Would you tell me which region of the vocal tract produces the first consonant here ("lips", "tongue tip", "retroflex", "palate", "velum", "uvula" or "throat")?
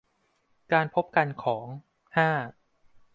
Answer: velum